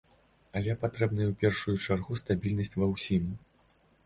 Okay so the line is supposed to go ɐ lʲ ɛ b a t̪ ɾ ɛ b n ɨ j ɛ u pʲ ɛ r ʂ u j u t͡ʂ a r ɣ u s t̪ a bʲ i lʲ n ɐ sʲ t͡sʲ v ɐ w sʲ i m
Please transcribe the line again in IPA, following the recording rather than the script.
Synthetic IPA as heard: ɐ lʲ ɛ p a t̪ ɾ ɛ b n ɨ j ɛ w pʲ ɛ r ʂ u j u t͡ʂ a r ɣ u s t̪ a bʲ i lʲ n ɐ sʲ t͡sʲ v ɐ w sʲ i m